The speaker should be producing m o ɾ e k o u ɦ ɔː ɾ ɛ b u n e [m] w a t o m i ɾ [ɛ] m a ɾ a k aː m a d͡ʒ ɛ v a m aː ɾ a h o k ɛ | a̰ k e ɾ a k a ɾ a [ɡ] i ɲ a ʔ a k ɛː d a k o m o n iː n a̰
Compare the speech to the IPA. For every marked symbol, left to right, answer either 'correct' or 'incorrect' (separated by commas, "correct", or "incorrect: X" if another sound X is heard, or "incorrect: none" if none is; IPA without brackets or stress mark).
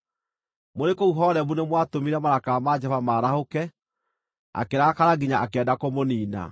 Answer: correct, correct, correct